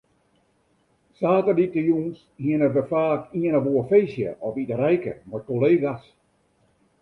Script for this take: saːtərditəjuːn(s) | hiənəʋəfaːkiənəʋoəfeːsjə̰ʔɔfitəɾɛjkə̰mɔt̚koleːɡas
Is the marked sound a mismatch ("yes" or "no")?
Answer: no